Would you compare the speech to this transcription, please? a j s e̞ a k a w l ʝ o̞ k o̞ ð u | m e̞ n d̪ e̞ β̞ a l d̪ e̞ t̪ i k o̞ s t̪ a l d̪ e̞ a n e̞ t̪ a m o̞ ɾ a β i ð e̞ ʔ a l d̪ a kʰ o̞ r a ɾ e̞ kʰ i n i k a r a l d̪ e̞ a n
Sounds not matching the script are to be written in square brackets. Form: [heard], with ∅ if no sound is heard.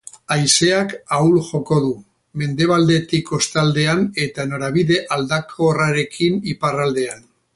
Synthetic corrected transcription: a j s e̞ a k a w l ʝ o̞ k o̞ ð u | m e̞ n d̪ e̞ β̞ a l d̪ e̞ t̪ i k o̞ s t̪ a l d̪ e̞ a n e̞ t̪ a [n] o̞ ɾ a β i ð e̞ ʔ a l d̪ a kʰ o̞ r a ɾ e̞ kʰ i n i [p] a r a l d̪ e̞ a n